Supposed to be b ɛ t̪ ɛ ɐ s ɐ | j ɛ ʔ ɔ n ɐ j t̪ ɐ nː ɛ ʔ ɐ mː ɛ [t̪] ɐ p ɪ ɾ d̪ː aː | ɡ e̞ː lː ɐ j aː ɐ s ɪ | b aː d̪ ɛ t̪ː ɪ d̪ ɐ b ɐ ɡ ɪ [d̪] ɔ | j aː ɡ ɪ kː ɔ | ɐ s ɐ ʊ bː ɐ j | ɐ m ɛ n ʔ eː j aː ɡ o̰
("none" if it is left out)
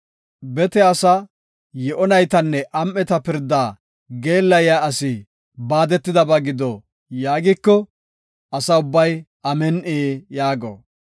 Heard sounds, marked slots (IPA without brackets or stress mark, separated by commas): t̪, d̪